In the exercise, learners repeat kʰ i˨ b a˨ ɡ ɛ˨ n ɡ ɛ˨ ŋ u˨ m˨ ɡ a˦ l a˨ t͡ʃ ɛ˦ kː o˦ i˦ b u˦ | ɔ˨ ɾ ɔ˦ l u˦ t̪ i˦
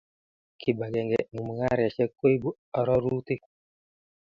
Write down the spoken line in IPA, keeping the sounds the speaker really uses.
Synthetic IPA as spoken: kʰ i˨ b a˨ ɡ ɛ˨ ŋ ɡ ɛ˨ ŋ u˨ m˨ ŋ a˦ ɾ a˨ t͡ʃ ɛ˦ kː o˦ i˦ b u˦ | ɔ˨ ɾ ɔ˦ ɾ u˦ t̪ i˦